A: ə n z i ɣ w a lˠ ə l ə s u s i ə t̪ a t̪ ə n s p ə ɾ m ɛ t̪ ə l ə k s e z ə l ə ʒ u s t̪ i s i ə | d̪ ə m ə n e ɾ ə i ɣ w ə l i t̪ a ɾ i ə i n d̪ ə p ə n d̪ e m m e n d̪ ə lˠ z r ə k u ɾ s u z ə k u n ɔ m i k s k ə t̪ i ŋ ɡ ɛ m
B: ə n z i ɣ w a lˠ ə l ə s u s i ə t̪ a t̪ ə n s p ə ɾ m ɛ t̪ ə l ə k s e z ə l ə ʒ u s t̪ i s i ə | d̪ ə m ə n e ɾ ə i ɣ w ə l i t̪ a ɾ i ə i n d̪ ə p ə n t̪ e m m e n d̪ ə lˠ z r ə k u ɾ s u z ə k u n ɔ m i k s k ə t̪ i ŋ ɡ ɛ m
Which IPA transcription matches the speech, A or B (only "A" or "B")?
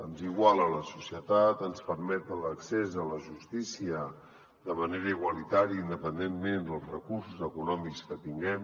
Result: A